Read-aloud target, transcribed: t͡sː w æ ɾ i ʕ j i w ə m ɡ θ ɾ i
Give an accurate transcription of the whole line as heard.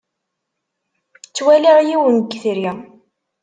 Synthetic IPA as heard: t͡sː w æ l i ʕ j i w ə n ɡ θ ɾ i